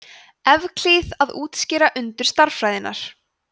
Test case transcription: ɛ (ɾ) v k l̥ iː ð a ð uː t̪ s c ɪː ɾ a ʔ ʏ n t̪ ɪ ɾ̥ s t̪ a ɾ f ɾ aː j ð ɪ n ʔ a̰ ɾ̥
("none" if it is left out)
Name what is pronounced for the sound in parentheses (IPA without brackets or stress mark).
none